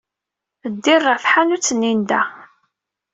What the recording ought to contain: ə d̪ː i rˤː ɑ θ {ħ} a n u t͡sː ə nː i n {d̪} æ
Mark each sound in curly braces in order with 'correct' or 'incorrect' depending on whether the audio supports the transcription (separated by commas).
correct, correct